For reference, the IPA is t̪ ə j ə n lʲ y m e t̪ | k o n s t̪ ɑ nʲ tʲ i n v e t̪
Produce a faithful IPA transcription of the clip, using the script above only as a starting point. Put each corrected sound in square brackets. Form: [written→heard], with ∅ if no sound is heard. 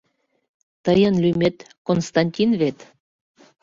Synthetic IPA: t̪ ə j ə n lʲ y m e t̪ | k o n s t̪ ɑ nʲ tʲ i n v e t̪